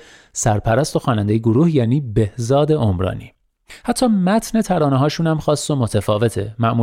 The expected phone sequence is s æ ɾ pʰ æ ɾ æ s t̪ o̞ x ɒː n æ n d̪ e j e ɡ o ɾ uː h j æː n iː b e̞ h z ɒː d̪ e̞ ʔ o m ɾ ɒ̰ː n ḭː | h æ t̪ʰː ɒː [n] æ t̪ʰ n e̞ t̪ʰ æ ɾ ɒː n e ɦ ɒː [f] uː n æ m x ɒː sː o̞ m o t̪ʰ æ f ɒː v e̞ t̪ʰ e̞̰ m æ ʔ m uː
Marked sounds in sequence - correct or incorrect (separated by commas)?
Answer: incorrect, incorrect